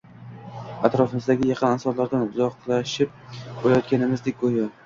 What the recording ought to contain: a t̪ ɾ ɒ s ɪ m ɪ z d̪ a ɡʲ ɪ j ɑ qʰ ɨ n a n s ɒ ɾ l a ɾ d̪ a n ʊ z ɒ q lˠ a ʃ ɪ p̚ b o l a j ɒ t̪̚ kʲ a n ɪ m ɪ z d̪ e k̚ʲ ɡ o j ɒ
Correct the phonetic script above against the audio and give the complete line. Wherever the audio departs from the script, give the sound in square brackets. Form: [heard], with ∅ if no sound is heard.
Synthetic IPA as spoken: a t̪ ɾ ɒ [f] ɪ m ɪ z d̪ a ɡʲ ɪ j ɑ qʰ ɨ n a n s ɒ ɾ l a ɾ d̪ a n ʊ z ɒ q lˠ a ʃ ɪ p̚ b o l a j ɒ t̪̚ kʲ a n ɪ m ɪ z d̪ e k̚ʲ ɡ o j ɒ